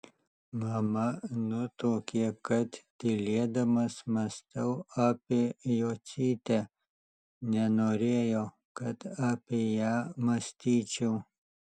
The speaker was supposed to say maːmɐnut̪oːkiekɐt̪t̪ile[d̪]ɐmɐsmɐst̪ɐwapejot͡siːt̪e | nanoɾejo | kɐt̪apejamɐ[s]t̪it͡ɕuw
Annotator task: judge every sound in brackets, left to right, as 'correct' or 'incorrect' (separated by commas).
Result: correct, correct